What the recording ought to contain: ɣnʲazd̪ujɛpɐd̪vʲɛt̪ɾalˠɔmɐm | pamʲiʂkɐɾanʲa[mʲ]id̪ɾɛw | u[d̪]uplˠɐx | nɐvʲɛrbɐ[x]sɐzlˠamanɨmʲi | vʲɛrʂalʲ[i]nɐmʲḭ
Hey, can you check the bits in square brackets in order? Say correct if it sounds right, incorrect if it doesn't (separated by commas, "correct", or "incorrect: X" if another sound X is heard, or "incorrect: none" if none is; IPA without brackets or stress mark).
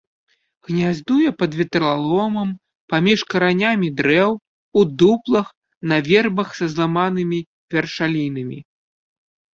correct, correct, correct, correct